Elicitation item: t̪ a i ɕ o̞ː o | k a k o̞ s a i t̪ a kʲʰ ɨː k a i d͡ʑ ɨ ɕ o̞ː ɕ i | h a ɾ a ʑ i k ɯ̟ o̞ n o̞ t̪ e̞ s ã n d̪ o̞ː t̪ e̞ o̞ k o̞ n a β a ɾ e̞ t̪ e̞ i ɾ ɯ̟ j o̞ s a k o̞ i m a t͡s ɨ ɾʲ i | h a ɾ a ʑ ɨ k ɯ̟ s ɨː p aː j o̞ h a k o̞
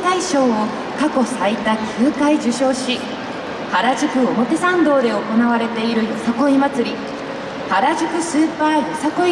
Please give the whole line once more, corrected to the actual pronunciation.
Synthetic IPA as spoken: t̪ a i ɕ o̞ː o | k a k o̞ s a i t̪ a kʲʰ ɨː k a i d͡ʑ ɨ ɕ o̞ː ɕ i | h a ɾ a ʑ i k ɯ̟ o̞ m o̞ t̪ e̞ s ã n d̪ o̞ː d̪ e̞ o̞ k o̞ n a β a ɾ e̞ t̪ e̞ i ɾ ɯ̟ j o̞ s a k o̞ i m a t͡s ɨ ɾʲ i | h a ɾ a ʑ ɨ k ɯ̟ s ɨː p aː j o̞ s a k o̞